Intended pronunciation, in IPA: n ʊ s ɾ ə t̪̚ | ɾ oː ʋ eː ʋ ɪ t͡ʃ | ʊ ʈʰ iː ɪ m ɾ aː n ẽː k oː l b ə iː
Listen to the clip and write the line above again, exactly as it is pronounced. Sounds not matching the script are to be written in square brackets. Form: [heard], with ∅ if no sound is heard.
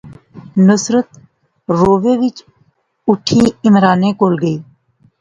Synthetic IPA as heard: n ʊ s ɾ ə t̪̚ | ɾ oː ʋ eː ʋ ɪ t͡ʃ | ʊ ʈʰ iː ɪ m ɾ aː n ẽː k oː l [ɡ] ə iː